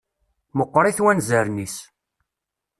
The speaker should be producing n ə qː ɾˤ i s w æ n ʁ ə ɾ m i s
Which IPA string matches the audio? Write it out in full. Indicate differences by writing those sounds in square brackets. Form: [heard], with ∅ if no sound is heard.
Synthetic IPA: [m] ə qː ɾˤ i [θ] w æ n [z] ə ɾ [n] i s

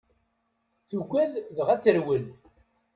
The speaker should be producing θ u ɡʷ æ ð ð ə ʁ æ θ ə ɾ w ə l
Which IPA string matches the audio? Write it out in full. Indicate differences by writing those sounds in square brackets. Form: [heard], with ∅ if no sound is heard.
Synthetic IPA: θ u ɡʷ æ ð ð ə ʁ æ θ ə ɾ w ə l

